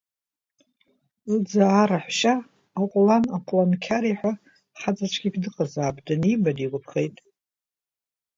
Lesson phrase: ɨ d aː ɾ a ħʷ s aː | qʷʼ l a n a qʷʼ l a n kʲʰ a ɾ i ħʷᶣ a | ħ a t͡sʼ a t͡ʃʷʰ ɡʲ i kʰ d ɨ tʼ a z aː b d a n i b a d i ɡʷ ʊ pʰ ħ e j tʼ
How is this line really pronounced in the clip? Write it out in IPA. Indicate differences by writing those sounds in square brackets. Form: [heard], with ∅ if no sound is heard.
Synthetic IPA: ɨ [d͡z] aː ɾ a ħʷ [ʃ] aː | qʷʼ l a n a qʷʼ l a n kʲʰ a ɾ i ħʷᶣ a | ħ a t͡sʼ a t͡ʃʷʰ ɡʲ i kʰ d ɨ [qʼ] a z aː b d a n i b a d i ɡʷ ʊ pʰ [χ] e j tʼ